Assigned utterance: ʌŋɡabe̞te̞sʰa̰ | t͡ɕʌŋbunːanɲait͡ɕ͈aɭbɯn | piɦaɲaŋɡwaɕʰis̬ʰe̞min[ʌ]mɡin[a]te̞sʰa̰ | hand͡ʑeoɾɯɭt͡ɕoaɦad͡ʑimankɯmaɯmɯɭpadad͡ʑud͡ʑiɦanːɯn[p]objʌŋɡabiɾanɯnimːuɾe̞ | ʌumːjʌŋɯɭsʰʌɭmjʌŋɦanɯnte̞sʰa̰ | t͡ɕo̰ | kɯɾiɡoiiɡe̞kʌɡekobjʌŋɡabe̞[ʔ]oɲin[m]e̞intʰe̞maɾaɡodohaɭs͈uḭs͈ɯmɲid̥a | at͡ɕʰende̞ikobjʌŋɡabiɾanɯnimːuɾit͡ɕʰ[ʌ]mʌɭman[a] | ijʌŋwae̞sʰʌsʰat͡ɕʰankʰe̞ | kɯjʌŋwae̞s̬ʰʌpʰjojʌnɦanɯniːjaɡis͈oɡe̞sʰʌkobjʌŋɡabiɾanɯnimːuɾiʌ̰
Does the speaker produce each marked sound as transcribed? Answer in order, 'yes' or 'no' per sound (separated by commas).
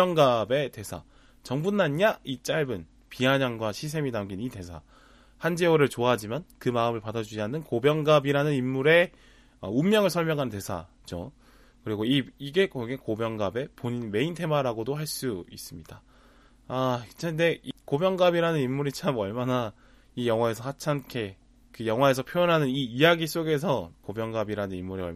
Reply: no, no, no, no, yes, no, yes